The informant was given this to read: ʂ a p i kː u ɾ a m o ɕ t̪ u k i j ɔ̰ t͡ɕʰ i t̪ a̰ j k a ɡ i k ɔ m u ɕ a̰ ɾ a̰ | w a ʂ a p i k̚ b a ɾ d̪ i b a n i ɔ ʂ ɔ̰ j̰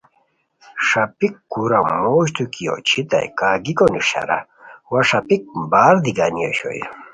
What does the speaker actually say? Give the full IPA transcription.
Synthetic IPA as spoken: ʂ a p i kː u ɾ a m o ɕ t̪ u k i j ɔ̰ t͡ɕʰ i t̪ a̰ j k a ɡ i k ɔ n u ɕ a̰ ɾ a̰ | w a ʂ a p i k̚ b a ɾ d̪ i ɡ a n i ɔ ɕ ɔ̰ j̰